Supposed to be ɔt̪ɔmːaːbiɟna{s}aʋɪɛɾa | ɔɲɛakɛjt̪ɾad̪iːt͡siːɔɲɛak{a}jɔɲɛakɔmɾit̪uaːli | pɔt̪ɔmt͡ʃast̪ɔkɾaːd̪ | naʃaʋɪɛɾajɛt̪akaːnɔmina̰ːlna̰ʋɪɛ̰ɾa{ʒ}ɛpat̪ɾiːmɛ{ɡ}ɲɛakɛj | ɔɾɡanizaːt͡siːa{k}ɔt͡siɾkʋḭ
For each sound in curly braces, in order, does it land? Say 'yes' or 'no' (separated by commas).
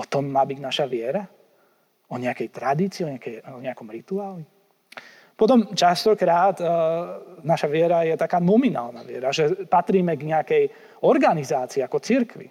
no, no, yes, yes, yes